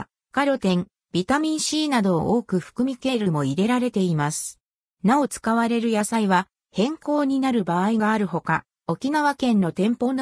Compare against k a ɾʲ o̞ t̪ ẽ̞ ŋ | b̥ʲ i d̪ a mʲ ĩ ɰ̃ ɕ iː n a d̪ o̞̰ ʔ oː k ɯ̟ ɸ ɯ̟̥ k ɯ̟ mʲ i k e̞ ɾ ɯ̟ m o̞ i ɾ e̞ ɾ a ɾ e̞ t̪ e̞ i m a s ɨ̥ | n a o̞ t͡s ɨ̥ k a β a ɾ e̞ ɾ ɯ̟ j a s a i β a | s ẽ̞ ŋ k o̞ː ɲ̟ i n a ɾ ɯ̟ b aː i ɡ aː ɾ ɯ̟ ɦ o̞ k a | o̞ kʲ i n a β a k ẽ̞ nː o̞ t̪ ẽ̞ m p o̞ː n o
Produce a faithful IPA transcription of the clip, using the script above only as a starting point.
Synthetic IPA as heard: k a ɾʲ o̞ t̪ ẽ̞ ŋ | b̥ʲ i t̪ a mʲ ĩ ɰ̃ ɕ iː n a d̪ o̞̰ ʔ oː k ɯ̟ ɸ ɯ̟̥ k ɯ̟ mʲ i k e̞ ɾ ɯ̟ m o̞ i ɾ e̞ ɾ a ɾ e̞ t̪ e̞ i m a s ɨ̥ | n a o̞ t͡s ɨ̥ k a β a ɾ e̞ ɾ ɯ̟ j a s a i β a | h ẽ̞ ŋ k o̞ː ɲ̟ i n a ɾ ɯ̟ b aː i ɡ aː ɾ ɯ̟ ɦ o̞ k a | o̞ kʲ i n a β a k ẽ̞ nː o̞ t̪ ẽ̞ m p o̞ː n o